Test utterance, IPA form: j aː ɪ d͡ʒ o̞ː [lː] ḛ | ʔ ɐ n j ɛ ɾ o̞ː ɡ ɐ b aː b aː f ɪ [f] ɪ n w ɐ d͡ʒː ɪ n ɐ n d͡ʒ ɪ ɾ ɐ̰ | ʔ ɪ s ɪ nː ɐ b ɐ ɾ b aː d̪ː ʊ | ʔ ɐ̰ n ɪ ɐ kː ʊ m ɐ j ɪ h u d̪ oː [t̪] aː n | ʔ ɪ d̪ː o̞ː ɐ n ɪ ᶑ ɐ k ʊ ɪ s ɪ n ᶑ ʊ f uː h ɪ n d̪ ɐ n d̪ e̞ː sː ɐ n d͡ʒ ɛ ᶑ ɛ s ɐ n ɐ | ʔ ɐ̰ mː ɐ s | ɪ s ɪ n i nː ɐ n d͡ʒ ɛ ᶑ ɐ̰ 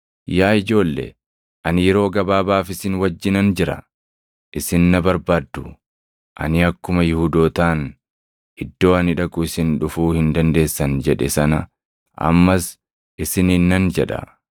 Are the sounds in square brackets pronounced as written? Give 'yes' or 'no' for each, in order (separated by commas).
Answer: yes, no, yes